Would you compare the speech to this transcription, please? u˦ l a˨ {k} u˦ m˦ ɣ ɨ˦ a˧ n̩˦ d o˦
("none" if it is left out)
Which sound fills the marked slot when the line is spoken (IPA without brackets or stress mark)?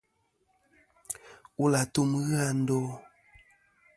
t